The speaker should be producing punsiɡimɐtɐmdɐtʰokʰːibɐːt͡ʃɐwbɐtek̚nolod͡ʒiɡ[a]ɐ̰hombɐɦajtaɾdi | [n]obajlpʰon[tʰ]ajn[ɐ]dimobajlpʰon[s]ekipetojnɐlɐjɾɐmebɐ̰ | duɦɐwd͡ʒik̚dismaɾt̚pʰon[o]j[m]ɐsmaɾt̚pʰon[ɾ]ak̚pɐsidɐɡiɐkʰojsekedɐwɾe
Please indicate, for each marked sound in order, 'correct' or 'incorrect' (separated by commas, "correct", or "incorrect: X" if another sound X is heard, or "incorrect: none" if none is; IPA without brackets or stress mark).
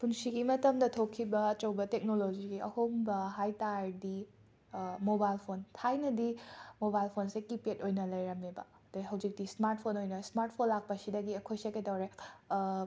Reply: incorrect: i, incorrect: m, correct, correct, correct, correct, incorrect: n, incorrect: l